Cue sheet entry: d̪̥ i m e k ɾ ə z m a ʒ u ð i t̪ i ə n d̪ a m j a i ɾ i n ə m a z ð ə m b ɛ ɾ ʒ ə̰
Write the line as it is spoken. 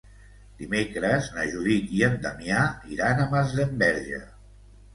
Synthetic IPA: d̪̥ i m e k ɾ ə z n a ʒ u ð i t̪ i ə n d̪ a m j a i ɾ a n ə m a z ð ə m b ɛ ɾ ʒ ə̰